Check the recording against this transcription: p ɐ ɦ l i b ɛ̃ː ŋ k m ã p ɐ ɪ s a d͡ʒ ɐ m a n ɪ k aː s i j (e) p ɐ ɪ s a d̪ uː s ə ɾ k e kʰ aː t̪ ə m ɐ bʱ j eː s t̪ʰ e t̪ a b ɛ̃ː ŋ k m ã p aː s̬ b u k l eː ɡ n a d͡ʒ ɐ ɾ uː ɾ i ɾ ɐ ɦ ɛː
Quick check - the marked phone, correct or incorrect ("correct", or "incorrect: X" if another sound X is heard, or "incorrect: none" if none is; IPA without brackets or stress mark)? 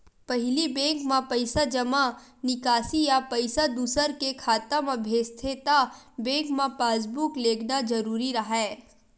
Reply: incorrect: a